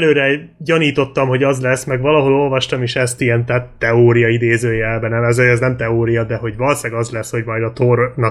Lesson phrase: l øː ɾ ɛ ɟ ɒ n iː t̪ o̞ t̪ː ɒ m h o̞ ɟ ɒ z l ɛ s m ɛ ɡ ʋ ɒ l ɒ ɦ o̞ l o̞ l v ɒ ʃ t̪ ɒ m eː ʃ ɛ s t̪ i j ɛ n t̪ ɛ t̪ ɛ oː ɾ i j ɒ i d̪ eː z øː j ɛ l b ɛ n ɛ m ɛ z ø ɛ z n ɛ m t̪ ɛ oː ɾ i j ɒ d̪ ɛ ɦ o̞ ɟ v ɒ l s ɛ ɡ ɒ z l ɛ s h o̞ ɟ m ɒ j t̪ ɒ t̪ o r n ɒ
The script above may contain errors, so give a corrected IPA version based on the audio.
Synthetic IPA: l øː ɾ ɛ ɟ ɒ n iː t̪ o̞ t̪ː ɒ m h o̞ ɟ ɒ z l ɛ s m ɛ ɡ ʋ ɒ l ɒ ɦ o̞ l o̞ l v ɒ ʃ t̪ ɒ m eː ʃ ɛ s t̪ i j ɛ n t̪ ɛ t̪ ɛ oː ɾ i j ɒ i d̪ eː z øː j ɛ l b ɛ n ɛ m ɛ z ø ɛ z n ɛ m t̪ ɛ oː ɾ i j ɒ d̪ ɛ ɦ o̞ ɟ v ɒ l s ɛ ɡ ɒ z l ɛ s h o̞ ɟ m ɒ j d̪ ɒ t̪ o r n ɒ